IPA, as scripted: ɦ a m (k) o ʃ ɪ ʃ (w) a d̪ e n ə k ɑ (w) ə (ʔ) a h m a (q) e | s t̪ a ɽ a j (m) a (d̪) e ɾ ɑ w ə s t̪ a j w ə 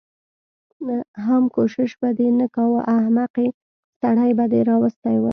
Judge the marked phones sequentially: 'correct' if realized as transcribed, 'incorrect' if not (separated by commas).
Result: correct, incorrect, correct, correct, correct, incorrect, correct